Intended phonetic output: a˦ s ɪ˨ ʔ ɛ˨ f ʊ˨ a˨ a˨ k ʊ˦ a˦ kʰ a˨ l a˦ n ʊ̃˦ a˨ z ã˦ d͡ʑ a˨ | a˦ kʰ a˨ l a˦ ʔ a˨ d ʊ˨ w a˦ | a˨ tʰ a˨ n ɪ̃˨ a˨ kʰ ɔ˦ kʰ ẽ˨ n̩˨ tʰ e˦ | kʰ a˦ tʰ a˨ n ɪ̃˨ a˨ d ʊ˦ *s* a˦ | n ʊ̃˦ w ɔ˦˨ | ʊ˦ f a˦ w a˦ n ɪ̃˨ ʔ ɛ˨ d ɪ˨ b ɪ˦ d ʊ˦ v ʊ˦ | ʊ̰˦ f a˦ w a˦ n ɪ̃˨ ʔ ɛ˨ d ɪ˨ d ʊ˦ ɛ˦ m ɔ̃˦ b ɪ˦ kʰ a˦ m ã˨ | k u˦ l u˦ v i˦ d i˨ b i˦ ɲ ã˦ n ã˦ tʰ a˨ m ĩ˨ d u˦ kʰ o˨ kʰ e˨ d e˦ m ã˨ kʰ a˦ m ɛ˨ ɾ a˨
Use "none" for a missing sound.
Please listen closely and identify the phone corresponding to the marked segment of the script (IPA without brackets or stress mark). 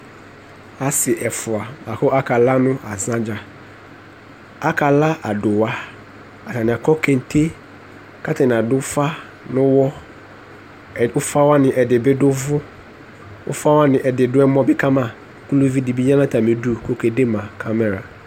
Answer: f